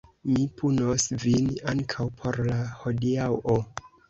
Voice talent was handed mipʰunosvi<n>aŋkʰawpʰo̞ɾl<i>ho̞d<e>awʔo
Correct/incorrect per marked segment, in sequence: correct, incorrect, incorrect

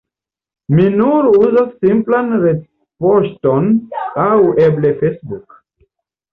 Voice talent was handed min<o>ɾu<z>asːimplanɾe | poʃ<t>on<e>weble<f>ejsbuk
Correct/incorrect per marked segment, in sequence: incorrect, correct, correct, incorrect, correct

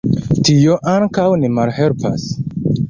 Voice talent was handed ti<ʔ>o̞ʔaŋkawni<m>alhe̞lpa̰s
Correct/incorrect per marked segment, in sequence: incorrect, correct

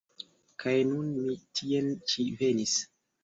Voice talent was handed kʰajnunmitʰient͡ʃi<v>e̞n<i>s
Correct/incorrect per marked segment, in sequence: correct, correct

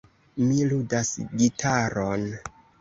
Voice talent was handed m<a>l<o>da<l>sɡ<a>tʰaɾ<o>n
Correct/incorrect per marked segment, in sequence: incorrect, incorrect, incorrect, incorrect, correct

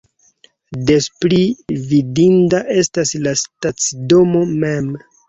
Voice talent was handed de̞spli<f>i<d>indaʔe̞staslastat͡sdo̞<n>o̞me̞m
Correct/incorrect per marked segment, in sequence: incorrect, correct, incorrect

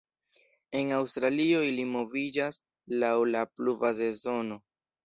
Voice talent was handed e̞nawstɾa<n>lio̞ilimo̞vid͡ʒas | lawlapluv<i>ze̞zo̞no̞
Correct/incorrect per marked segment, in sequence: incorrect, incorrect

